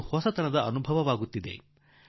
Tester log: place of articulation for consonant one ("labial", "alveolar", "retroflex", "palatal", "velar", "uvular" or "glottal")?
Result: glottal